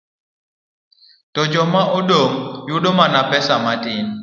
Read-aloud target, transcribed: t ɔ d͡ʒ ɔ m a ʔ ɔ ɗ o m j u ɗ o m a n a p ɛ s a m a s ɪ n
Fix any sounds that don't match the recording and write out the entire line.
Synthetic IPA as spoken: t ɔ d͡ʒ ɔ m a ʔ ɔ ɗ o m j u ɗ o m a n a p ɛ s a m a t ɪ n